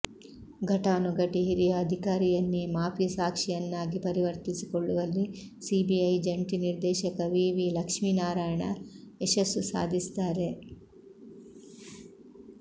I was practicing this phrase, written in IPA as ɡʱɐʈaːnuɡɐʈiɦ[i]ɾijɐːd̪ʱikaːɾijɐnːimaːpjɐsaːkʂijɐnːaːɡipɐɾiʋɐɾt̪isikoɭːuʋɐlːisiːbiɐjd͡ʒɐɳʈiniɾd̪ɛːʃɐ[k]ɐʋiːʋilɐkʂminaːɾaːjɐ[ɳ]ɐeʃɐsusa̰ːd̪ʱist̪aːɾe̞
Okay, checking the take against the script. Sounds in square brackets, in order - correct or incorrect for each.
correct, correct, correct

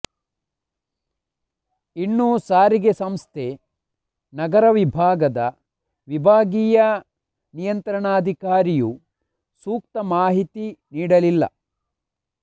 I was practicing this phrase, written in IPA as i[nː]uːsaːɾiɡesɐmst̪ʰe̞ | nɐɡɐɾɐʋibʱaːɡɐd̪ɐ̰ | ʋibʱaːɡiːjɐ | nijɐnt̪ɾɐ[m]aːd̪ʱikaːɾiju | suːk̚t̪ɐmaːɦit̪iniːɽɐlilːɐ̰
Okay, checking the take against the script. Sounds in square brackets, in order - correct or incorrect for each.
correct, incorrect: ɳ

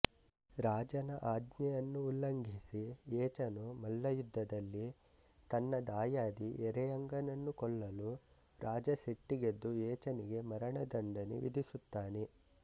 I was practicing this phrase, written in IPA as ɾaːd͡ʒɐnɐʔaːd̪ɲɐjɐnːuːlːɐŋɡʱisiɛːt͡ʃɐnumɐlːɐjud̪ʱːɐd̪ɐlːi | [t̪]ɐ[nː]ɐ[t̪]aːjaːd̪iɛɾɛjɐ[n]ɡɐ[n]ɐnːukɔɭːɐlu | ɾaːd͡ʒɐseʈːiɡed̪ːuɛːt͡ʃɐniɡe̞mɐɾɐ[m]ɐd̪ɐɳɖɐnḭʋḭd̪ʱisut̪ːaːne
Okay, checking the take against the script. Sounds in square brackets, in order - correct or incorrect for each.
correct, correct, incorrect: d̪, incorrect: ŋ, correct, incorrect: ɳ

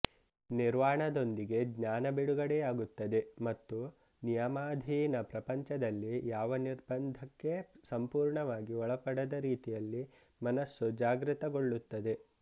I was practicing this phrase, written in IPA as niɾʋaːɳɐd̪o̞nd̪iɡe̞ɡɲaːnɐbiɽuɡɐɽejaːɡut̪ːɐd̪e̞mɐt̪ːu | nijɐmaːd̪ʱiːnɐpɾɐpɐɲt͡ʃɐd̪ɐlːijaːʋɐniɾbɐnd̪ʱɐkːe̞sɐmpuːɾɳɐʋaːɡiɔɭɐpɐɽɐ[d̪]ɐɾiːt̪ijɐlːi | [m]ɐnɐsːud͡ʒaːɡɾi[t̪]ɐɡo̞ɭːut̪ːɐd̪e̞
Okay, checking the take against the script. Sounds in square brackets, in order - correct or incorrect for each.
correct, correct, correct

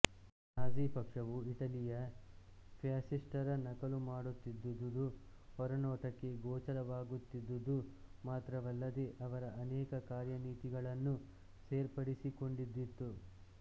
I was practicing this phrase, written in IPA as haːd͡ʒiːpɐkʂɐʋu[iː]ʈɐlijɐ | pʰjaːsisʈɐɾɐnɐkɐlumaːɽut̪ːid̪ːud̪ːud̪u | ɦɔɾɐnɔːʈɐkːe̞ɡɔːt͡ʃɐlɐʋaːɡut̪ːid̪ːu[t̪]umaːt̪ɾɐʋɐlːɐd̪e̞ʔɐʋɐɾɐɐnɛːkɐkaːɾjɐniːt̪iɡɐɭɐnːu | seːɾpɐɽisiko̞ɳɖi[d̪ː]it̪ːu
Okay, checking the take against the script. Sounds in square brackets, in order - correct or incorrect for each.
incorrect: i, incorrect: d̪, correct

